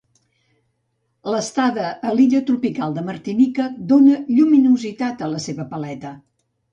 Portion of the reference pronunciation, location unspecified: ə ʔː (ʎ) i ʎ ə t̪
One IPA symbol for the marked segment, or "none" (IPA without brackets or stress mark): l